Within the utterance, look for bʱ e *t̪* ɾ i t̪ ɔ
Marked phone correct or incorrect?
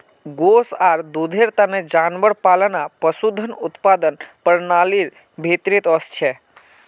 correct